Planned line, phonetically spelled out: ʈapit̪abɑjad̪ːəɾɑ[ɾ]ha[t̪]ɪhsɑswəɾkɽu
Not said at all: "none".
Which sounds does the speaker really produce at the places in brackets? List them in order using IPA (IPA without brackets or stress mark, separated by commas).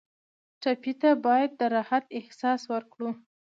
none, t̪